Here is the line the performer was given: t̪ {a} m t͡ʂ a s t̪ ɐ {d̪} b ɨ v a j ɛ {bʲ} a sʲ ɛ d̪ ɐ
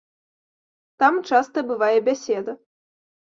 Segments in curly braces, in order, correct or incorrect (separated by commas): correct, incorrect, correct